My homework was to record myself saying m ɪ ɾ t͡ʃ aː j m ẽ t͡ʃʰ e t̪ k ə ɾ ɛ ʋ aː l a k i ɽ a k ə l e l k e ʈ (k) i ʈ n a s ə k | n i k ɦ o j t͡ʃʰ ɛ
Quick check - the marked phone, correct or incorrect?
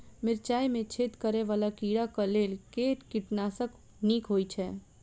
correct